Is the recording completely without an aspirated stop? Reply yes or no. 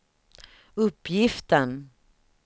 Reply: yes